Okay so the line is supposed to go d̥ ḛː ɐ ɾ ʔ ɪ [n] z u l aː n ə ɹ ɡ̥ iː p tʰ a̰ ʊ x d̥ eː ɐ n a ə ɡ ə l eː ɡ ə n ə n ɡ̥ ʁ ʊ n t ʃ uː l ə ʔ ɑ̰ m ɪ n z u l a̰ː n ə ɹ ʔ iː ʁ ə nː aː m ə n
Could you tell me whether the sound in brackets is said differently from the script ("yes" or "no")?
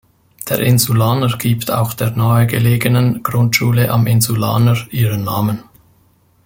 no